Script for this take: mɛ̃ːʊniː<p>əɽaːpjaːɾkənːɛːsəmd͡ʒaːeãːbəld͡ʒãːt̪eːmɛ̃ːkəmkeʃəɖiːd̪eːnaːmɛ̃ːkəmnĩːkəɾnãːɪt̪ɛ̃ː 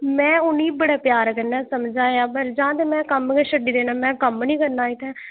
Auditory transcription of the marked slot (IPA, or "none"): b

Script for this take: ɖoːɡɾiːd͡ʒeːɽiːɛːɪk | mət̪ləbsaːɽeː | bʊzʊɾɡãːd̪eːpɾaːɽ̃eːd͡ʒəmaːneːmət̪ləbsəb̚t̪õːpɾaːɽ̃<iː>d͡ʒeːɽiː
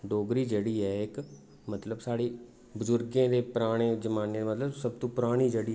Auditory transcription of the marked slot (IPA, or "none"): iː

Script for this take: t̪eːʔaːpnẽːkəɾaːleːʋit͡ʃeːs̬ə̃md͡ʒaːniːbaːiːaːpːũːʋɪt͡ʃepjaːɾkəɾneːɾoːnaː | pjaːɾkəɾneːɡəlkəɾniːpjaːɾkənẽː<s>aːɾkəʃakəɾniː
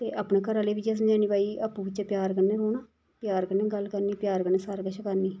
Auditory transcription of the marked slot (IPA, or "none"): s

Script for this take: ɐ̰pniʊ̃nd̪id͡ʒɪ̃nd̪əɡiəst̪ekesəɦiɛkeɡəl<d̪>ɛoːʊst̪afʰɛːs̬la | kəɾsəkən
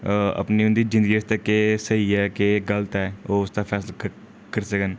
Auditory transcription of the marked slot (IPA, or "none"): t̪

